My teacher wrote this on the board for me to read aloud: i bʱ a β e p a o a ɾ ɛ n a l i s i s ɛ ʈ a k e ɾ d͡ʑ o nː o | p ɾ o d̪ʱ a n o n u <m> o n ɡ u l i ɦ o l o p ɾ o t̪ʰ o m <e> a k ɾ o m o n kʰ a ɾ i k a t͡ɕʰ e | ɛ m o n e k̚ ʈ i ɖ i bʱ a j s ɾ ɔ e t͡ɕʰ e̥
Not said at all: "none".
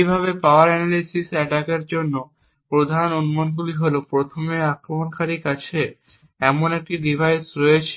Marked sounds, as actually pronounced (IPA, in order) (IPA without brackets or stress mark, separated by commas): m, e